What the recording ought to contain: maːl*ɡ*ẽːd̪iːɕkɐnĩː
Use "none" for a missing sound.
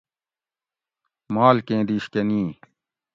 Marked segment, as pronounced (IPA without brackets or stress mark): k